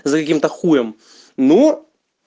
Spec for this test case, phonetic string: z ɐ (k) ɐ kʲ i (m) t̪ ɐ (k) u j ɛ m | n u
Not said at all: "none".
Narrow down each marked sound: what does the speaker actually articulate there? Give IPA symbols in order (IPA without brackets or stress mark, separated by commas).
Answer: k, m, x